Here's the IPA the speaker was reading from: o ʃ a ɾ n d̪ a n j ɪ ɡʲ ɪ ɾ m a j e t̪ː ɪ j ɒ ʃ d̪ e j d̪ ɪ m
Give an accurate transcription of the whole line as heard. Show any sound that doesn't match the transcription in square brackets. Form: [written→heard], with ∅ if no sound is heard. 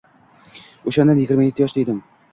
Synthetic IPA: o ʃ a [ɾ→∅] n d̪ a n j ɪ ɡʲ ɪ ɾ m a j e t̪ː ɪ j ɒ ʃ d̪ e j d̪ ɪ m